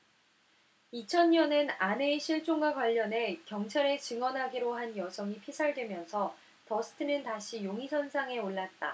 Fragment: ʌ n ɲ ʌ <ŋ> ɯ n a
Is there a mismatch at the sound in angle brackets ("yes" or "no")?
yes